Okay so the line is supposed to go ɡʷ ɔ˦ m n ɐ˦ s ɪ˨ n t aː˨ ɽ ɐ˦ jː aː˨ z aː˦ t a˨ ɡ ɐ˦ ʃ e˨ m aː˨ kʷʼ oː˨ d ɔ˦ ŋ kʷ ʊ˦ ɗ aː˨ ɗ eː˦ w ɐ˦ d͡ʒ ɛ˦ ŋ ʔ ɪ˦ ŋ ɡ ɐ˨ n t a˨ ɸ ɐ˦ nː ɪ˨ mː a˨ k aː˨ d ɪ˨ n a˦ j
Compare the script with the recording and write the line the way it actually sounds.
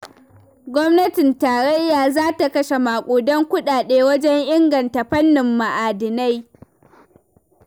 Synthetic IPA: ɡʷ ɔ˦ m n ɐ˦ t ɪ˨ n t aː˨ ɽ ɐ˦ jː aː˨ z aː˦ t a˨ k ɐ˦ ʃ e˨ m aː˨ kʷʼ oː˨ d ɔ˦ ŋ kʷ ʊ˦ ɗ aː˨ ɗ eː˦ w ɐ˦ d͡ʒ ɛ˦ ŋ ʔ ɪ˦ ŋ ɡ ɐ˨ n t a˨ ɸ ɐ˦ nː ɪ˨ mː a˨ ʔ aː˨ d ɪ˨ n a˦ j